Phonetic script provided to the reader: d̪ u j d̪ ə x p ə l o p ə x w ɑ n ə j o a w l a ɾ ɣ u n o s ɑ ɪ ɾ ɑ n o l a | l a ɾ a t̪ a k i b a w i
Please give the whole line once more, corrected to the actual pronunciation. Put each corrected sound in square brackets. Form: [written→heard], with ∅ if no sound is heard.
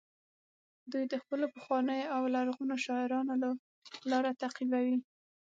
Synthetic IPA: d̪ u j d̪ ə x p ə l o p ə x w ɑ n ə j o a w l a ɾ ɣ u n o [s→ʃ] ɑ ɪ ɾ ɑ n o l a | l [a→ɑ] ɾ a t̪ a [k→q] i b a w i